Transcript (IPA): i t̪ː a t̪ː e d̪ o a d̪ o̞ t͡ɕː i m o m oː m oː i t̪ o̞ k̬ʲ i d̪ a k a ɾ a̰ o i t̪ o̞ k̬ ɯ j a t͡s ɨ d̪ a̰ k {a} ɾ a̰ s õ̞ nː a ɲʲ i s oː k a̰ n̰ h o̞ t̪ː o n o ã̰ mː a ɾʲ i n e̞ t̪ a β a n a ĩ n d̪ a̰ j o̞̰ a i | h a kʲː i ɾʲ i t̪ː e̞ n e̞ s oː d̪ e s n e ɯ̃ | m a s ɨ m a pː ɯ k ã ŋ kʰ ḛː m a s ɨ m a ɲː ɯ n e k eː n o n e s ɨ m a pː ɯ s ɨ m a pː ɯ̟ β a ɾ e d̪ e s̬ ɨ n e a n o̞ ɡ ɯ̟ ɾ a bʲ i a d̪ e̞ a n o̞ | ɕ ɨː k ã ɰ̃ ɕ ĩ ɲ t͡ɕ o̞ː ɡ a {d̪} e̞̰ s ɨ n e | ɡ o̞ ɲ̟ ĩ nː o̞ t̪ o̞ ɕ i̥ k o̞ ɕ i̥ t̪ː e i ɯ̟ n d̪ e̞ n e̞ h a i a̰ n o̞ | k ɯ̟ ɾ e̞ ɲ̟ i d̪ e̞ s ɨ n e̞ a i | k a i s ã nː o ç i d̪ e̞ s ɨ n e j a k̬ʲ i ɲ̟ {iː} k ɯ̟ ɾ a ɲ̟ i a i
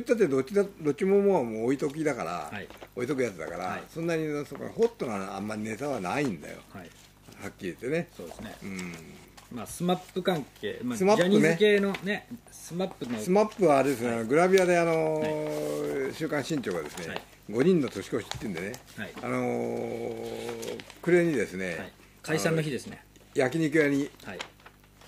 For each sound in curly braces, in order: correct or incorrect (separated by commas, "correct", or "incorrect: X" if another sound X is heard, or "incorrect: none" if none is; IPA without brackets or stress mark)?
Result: correct, correct, incorrect: i